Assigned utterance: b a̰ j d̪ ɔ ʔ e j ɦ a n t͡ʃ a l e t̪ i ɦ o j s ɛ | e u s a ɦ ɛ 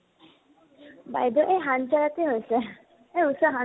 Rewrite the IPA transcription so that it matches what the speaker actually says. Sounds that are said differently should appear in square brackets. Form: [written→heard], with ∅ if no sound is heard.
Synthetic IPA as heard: b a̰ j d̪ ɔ ʔ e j ɦ a n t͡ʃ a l [e→a] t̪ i ɦ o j s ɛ | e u s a ɦ [ɛ→a]

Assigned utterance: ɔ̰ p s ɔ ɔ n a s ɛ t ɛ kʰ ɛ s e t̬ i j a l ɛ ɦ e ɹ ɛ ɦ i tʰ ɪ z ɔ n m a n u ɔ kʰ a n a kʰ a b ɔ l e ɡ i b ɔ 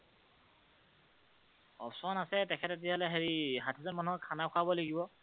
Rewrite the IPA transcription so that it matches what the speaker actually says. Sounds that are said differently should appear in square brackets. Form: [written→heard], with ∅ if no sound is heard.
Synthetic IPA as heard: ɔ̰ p s ɔ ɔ n a s ɛ t ɛ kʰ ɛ [s→t] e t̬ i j a l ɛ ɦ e ɹ [ɛ→i] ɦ [i→a] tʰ [ɪ→i] z ɔ n m a n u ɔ kʰ a n a kʰ a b ɔ l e ɡ i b ɔ

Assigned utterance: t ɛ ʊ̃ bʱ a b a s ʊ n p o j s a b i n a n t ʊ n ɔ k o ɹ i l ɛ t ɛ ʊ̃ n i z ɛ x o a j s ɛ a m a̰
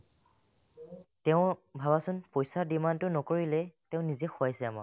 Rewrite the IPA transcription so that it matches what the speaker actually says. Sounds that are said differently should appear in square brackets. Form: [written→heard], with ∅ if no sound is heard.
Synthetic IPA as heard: t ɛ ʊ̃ bʱ a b a s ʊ n p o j s a [b→d] i [n→m] a n t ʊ n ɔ k o ɹ i l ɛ t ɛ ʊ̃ n i z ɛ x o a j s ɛ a m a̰

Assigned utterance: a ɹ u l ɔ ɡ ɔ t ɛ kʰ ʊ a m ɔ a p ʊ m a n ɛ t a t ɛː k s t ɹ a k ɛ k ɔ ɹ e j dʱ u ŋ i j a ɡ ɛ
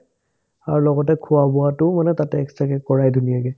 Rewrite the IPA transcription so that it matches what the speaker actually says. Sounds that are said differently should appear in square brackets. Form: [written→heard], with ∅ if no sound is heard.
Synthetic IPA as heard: a ɹ u l ɔ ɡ ɔ t ɛ kʰ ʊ a [m→b] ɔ a [p→t] ʊ m a n ɛ t a t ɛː k s t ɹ a k ɛ k ɔ ɹ [e→a] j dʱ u [ŋ→n] i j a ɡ ɛ

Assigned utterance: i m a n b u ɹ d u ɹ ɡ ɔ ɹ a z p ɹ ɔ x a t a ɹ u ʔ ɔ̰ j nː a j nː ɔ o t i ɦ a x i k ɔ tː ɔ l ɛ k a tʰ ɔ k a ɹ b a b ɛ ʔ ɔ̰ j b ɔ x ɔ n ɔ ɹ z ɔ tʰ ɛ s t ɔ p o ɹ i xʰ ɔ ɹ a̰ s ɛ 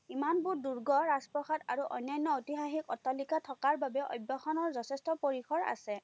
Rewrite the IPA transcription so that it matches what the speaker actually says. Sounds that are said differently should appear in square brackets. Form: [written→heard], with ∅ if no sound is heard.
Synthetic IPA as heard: i m a n b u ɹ d u ɹ ɡ ɔ ɹ a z p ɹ ɔ x a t a ɹ u ʔ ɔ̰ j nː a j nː ɔ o t i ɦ a x i k ɔ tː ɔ l [ɛ→i] k a tʰ ɔ k a ɹ b a b ɛ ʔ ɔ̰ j b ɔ x ɔ n ɔ ɹ z ɔ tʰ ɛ s t ɔ p o ɹ i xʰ ɔ ɹ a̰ s ɛ

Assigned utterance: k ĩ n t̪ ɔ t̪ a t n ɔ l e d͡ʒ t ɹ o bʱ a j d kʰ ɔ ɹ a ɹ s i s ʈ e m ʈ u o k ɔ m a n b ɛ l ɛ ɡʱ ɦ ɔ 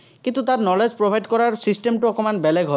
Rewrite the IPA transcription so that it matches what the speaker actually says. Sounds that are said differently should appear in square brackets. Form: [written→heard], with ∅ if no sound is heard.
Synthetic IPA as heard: k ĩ n t̪ [ɔ→u] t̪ a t n ɔ l e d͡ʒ [t→p] ɹ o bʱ a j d [kʰ→k] ɔ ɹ a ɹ s i s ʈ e m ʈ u [o→ɔ] k ɔ m a n b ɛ l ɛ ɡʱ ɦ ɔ

